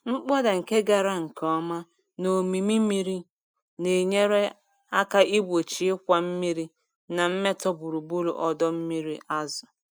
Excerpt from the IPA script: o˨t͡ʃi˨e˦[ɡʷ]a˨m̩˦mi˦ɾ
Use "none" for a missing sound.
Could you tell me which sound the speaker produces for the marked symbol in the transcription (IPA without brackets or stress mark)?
kʷ